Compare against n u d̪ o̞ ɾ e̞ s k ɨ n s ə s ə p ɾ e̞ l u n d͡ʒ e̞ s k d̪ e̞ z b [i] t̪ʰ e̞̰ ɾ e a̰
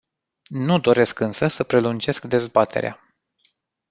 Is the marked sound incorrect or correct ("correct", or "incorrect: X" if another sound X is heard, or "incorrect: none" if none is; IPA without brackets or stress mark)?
incorrect: a